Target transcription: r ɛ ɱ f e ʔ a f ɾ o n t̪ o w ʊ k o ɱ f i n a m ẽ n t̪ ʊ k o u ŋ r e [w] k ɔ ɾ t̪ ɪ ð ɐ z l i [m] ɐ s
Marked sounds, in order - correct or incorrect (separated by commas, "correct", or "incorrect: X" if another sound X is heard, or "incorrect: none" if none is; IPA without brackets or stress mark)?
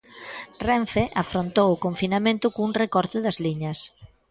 incorrect: none, incorrect: ɲ